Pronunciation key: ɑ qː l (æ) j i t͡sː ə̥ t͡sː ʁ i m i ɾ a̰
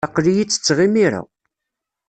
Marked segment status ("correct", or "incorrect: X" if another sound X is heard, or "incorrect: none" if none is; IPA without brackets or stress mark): incorrect: i